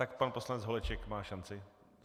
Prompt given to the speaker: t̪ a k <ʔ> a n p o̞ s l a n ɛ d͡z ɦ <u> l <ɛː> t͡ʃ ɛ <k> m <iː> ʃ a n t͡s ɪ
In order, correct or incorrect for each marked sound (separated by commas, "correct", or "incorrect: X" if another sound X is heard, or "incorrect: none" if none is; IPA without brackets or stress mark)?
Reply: incorrect: p, incorrect: o, incorrect: ɛ, correct, incorrect: aː